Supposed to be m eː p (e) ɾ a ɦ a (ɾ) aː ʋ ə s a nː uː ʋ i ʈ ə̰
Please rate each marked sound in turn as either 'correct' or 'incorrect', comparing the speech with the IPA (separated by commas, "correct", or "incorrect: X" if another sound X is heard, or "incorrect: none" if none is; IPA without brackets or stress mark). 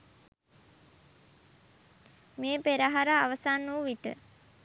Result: correct, correct